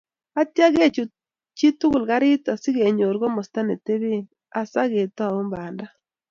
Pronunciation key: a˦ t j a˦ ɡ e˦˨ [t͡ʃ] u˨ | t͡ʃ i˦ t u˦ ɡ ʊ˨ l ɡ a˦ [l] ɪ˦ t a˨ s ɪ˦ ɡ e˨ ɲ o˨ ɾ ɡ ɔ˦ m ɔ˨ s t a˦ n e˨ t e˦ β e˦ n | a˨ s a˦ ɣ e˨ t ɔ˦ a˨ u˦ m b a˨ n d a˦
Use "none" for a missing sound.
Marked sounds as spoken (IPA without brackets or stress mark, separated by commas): t͡ʃ, ɾ